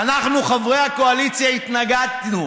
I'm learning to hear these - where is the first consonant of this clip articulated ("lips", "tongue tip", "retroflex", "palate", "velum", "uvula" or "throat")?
tongue tip